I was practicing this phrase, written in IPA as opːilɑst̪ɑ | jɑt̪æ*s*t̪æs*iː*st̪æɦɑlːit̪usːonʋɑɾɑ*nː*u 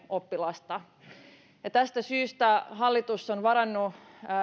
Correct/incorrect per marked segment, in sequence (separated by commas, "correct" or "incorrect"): correct, incorrect, correct